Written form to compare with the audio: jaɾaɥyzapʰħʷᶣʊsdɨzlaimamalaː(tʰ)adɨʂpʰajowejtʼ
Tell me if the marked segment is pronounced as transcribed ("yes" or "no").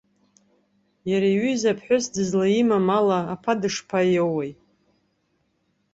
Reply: no